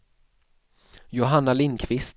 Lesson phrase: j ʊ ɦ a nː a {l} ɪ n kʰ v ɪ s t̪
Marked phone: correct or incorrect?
correct